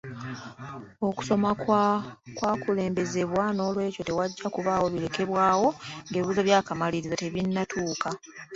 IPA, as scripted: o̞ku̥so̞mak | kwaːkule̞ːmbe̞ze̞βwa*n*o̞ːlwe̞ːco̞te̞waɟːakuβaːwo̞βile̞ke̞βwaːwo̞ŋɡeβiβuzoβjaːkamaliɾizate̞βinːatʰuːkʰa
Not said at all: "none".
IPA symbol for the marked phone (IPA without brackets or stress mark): n